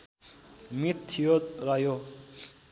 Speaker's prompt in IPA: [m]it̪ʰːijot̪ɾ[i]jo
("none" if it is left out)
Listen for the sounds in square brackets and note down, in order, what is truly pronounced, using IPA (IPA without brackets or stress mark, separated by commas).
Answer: m, a